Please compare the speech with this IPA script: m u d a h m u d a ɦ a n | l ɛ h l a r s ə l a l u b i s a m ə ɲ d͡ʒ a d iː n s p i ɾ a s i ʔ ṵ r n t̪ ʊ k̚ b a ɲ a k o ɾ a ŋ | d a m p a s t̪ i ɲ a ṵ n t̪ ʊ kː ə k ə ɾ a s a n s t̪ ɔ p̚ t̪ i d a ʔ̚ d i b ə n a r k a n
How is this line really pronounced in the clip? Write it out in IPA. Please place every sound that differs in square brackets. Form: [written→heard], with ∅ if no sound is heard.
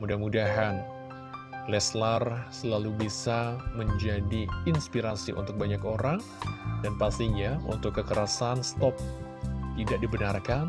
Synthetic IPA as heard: m u d a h m u d a ɦ a n | l ɛ [h→s] l a r s ə l a l u b i s a m ə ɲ d͡ʒ a d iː n s p i ɾ a s i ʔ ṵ [r→∅] n t̪ ʊ k̚ b a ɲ a k o ɾ a ŋ | d a [m→n] p a s t̪ i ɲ a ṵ n t̪ ʊ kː ə k ə ɾ a s a n s t̪ ɔ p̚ t̪ i d a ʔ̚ d i b ə n a r k a n